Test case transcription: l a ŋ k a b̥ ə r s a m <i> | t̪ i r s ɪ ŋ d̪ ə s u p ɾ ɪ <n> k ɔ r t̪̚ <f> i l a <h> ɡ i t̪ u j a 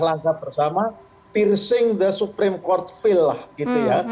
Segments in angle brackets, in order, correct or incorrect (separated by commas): incorrect, incorrect, correct, correct